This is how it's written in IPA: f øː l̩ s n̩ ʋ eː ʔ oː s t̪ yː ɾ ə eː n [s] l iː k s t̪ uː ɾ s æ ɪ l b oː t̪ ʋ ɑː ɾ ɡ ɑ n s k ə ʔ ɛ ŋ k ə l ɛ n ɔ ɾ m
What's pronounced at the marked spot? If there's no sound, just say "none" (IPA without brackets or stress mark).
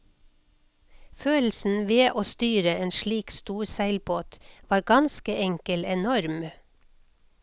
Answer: ʃ